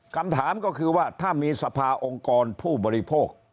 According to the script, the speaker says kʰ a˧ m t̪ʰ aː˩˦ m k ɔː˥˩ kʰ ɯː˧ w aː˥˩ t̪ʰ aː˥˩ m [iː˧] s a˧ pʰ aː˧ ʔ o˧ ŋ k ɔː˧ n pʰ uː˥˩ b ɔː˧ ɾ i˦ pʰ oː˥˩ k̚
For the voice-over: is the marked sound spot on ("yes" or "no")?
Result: yes